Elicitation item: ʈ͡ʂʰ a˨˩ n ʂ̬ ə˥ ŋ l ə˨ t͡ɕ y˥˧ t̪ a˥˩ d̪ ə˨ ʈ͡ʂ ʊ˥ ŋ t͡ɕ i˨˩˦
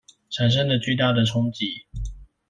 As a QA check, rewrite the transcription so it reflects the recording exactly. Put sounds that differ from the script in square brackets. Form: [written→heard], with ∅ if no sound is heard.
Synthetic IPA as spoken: ʈ͡ʂʰ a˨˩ n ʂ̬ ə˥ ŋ l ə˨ t͡ɕ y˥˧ t̪ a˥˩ d̪ ə˨ [ʈ͡ʂ→ʈ͡ʂʰ] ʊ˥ ŋ t͡ɕ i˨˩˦